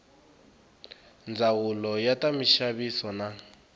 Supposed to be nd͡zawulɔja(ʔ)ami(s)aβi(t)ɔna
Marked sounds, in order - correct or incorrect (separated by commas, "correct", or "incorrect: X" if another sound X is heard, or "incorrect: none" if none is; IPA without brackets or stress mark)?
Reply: incorrect: t, incorrect: ʃ, incorrect: s